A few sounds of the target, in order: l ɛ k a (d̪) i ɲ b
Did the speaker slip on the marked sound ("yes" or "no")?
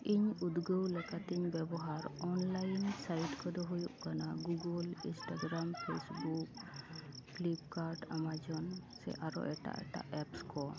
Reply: yes